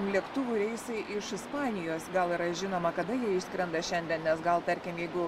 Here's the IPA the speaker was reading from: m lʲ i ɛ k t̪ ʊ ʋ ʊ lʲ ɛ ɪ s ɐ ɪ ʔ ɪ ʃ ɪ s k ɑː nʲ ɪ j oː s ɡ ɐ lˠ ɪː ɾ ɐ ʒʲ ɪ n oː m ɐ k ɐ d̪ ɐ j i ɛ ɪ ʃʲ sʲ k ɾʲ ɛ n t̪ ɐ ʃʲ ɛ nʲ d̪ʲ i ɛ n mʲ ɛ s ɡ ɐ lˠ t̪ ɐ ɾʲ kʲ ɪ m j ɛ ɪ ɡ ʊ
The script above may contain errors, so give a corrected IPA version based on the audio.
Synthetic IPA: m lʲ i ɛ k t̪ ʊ ʋ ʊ ɾʲ ɛ ɪ s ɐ ɪ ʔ ɪ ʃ ɪ s p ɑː nʲ ɪ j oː s ɡ ɐ lˠ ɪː ɾ ɐ ʒʲ ɪ n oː m ɐ k ɐ d̪ ɐ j i ɛ ɪ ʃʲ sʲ k ɾʲ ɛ n d̪ ɐ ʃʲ ɛ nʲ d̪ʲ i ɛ n nʲ ɛ s ɡ ɐ lˠ t̪ ɐ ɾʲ kʲ ɪ m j ɛ ɪ ɡ ʊ

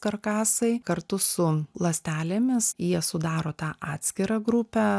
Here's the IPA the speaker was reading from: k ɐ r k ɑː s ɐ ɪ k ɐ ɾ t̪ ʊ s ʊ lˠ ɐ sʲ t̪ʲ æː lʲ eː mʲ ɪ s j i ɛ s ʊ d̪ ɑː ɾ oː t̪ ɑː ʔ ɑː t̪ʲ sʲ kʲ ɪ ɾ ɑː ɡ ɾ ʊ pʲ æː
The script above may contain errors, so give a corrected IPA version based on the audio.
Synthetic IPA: k ɐ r k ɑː s ɐ ɪ k ɐ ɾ t̪ ʊ s ʊ lˠ ɐ sʲ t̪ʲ æː lʲ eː mʲ ɪ s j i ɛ s ʊ d̪ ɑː ɾ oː t̪ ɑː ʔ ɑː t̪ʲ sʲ kʲ ɪ ɾ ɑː ɡ ɾ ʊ pʲ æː

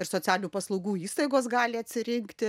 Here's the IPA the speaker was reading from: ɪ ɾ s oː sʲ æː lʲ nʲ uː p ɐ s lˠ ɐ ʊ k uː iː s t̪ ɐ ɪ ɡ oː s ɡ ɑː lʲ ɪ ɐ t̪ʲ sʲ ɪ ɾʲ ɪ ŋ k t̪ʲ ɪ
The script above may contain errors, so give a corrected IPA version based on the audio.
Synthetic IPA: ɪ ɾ s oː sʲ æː lʲ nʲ uː p ɐ s lˠ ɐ ʊ ɡ uː iː s t̪ ɐ ɪ ɡ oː s ɡ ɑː lʲ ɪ ɐ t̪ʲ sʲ ɪ ɾʲ ɪ ŋ k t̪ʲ ɪ

